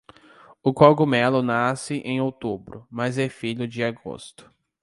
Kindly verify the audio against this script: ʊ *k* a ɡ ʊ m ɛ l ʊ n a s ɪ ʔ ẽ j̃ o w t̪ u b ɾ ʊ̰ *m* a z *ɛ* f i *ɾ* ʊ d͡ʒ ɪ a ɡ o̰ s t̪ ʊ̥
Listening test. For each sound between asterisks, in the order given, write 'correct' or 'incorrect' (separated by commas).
correct, correct, correct, incorrect